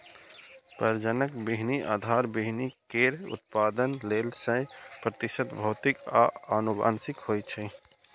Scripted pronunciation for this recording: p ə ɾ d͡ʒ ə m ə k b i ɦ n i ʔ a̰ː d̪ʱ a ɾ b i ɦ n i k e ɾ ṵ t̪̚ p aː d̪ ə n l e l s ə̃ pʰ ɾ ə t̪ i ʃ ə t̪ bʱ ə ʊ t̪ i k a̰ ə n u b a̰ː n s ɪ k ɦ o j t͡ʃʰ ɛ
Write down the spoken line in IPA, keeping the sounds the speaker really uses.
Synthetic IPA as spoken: p ə ɾ d͡ʒ ə n ə k b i ɦ n i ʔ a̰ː d̪ʱ a ɾ b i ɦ n i k e ɾ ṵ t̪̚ p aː d̪ ə n l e l s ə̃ p ɾ ə t̪ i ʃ ə t̪ bʱ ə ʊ t̪ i k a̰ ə n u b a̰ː n s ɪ k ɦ o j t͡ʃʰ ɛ